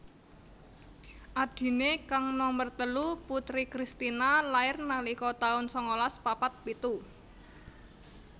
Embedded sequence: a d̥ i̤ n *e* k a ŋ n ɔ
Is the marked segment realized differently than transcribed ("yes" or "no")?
no